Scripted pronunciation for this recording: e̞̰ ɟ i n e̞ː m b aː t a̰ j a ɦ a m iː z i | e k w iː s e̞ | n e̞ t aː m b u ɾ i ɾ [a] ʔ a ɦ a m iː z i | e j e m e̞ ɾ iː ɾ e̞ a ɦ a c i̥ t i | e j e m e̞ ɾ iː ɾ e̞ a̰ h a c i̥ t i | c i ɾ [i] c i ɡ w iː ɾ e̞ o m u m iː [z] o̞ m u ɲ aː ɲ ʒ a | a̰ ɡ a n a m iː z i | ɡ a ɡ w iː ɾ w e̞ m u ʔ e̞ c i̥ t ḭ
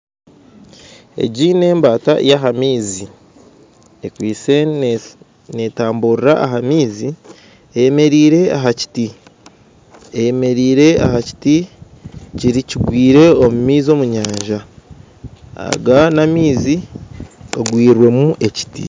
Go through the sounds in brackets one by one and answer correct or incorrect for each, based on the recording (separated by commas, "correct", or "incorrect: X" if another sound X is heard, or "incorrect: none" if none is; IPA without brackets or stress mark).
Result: correct, correct, correct